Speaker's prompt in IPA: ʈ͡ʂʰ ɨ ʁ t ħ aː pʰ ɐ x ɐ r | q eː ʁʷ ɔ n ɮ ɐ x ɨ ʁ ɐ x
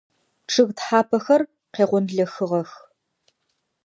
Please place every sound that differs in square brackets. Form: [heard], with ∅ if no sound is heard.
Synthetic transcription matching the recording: ʈ͡ʂʰ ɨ [ɣ] t ħ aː pʰ ɐ x ɐ r | q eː ʁʷ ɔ n ɮ ɐ x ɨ ʁ ɐ x